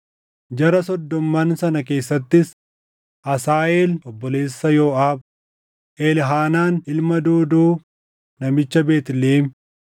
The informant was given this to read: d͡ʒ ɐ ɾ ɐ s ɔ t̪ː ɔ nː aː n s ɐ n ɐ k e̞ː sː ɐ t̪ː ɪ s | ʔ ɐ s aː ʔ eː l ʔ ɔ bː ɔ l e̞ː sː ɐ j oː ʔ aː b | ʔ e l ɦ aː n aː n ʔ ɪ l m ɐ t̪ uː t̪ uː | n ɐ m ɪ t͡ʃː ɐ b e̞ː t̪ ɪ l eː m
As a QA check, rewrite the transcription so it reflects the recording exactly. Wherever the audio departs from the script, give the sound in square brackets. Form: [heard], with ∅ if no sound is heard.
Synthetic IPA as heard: d͡ʒ ɐ ɾ ɐ s ɔ [d̪ː] ɔ [mː] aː n s ɐ n ɐ k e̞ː sː ɐ t̪ː ɪ s | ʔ ɐ s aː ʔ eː l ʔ ɔ bː ɔ l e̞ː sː ɐ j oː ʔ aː b | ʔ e l ɦ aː n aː n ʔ ɪ l m ɐ [d̪] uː [d̪] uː | n ɐ m ɪ t͡ʃː ɐ b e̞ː t̪ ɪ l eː m